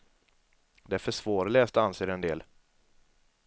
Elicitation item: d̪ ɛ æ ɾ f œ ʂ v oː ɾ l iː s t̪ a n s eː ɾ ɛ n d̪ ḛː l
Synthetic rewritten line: d̪ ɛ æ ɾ f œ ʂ v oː ɾ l ɛː s t̪ a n s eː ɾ ɛ n d̪ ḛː l